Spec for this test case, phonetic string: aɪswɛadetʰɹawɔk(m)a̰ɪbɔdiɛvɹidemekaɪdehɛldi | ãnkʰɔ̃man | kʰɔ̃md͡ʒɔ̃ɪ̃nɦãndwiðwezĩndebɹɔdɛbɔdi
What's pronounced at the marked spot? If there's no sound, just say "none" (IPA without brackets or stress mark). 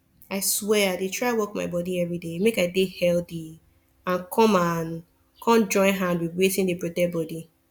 m